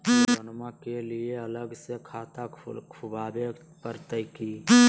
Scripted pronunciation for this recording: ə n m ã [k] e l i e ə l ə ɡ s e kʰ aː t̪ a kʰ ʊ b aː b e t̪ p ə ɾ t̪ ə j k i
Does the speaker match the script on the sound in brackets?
yes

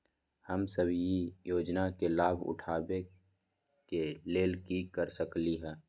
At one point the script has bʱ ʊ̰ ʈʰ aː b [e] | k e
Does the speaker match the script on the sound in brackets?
yes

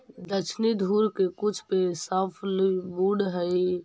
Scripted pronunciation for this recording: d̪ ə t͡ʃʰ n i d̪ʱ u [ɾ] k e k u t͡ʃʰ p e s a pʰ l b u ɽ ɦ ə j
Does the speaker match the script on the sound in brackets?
yes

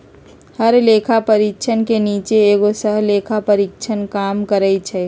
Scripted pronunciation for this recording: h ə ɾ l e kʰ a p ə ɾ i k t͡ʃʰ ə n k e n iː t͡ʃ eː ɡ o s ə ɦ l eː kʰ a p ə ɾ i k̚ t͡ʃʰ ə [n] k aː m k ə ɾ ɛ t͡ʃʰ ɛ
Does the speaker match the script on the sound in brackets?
yes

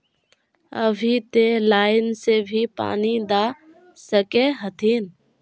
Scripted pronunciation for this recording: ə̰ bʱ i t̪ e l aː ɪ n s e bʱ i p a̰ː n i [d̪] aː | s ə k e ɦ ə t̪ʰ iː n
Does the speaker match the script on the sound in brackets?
yes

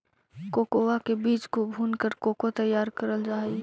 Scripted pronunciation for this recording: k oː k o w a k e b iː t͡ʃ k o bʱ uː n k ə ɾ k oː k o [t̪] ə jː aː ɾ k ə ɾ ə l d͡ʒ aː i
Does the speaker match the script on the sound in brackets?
yes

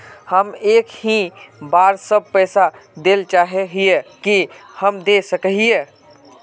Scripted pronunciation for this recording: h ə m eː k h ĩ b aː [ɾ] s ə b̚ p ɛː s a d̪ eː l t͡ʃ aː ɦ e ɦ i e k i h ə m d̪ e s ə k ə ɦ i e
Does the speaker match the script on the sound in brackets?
yes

